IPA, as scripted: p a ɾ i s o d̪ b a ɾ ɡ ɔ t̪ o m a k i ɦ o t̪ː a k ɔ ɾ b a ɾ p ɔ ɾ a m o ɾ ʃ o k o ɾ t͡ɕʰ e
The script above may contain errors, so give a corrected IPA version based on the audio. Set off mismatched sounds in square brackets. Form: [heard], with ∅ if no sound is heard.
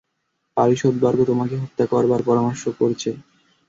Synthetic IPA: p a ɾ i [ʃ] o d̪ b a ɾ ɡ [o] t̪ o m a k [e] ɦ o t̪ː a k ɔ ɾ b a ɾ p ɔ ɾ a m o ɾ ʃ o k o ɾ t͡ɕʰ e